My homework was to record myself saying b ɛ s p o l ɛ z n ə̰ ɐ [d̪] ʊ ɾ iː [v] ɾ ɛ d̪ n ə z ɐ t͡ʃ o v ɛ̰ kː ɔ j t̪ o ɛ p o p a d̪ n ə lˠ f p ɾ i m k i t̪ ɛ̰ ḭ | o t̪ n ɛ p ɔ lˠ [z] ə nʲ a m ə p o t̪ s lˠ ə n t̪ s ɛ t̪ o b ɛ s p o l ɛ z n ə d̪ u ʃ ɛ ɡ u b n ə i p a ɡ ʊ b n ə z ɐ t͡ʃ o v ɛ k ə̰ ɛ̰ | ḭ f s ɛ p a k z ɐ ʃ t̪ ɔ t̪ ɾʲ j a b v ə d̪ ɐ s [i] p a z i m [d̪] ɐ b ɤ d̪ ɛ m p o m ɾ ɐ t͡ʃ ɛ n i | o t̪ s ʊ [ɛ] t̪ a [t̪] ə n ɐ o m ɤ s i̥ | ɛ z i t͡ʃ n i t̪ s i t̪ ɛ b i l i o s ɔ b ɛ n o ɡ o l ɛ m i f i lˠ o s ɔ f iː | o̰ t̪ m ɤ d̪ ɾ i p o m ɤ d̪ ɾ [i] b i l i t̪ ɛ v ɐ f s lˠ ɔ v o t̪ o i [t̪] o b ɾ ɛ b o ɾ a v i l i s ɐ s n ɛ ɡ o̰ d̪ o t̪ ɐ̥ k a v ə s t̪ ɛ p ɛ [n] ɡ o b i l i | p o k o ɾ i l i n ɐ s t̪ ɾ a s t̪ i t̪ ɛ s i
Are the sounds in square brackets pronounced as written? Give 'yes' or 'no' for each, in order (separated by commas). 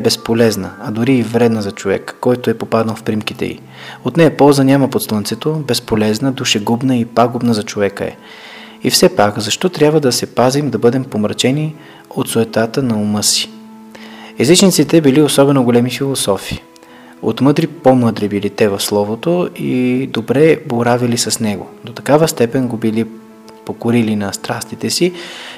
yes, yes, yes, no, yes, yes, yes, yes, no, yes